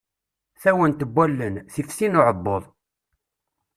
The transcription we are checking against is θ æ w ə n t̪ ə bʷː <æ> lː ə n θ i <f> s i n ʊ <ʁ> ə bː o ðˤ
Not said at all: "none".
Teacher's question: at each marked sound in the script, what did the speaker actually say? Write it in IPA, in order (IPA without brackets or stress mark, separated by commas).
æ, f, ʕ